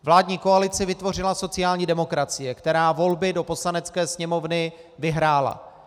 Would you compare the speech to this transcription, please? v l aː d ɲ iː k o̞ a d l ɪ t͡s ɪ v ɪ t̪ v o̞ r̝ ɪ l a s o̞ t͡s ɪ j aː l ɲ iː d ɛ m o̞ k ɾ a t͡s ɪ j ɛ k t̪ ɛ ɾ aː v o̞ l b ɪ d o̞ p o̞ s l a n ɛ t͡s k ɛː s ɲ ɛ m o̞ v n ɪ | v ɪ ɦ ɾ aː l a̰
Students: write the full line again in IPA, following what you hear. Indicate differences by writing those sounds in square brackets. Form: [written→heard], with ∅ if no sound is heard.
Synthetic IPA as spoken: v l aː d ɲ iː k o̞ a [d→∅] l ɪ t͡s ɪ v ɪ t̪ v o̞ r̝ ɪ l a s o̞ t͡s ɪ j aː l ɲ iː d ɛ m o̞ k ɾ a t͡s ɪ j ɛ k t̪ ɛ ɾ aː v o̞ l b ɪ d o̞ p o̞ s l a n ɛ t͡s k ɛː s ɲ ɛ m o̞ v n ɪ | v ɪ ɦ ɾ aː l a̰